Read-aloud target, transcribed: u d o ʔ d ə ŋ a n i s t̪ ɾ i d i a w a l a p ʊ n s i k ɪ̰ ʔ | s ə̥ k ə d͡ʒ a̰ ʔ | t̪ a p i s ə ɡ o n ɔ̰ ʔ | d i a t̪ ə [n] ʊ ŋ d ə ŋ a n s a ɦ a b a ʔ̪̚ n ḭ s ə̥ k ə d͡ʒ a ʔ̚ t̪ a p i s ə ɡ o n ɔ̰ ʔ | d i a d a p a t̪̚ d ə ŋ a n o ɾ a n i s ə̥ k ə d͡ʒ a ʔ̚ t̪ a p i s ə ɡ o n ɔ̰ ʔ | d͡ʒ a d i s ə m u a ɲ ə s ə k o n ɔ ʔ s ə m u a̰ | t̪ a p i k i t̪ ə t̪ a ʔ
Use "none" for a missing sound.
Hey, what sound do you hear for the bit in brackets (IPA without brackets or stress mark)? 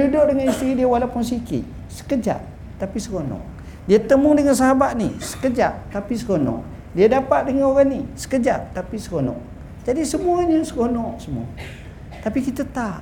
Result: m